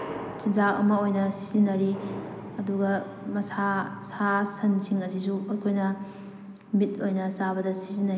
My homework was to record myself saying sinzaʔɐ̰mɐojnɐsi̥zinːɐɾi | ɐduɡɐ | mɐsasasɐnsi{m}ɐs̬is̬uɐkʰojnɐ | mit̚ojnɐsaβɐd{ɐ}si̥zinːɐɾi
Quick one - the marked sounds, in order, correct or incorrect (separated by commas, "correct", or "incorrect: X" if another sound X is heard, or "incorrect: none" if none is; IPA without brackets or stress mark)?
incorrect: ŋ, correct